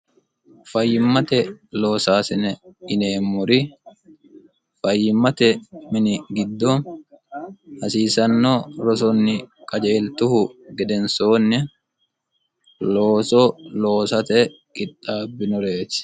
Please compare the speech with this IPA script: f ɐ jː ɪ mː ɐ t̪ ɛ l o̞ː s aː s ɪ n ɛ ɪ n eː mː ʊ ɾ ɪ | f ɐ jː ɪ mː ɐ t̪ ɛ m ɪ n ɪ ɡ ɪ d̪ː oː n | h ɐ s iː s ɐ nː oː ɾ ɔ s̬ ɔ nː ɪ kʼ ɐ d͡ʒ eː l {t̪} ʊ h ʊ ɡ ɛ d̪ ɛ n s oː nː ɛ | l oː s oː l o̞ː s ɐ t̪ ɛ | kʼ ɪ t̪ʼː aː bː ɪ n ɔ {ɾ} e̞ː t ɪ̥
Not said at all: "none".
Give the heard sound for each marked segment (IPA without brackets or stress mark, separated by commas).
t̪, ɾ